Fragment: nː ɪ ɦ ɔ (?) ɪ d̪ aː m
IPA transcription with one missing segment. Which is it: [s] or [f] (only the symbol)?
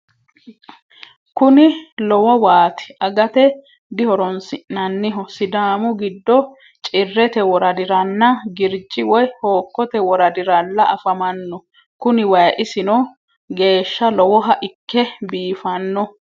s